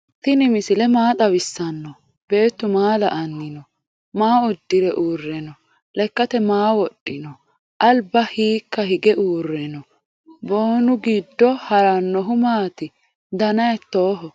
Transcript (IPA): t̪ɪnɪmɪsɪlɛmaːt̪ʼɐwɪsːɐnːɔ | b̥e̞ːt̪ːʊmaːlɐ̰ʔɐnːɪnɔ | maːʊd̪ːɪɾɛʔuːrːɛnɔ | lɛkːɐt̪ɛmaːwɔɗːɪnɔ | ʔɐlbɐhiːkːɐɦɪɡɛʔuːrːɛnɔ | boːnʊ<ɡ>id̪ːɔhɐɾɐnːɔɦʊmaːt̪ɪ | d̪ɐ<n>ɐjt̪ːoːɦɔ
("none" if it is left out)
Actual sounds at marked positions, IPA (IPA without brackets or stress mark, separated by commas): ɡ, n